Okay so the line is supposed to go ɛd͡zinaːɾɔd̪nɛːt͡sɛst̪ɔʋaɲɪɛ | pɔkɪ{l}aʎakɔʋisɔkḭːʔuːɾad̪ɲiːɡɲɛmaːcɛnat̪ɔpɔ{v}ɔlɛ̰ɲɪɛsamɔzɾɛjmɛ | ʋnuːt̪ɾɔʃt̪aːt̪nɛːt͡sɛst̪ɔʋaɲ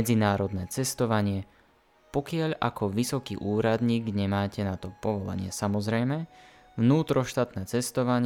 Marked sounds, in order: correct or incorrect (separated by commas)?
incorrect, incorrect